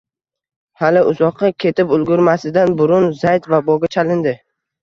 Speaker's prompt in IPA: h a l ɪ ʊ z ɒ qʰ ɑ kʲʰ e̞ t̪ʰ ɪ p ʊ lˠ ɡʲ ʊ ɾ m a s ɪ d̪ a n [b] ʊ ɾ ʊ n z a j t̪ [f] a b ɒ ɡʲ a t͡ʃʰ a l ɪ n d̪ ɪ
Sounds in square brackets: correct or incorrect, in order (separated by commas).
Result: correct, incorrect